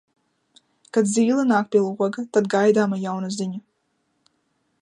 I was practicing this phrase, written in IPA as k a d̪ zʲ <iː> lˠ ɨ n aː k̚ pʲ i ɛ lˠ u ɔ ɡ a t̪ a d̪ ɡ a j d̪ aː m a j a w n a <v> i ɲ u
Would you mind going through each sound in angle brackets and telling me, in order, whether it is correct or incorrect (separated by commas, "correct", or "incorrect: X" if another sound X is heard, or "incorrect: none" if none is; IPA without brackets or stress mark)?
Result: correct, incorrect: z